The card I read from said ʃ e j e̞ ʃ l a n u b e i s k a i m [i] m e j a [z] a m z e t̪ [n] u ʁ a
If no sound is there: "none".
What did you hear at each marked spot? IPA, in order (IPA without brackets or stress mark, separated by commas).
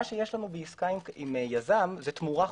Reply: i, z, m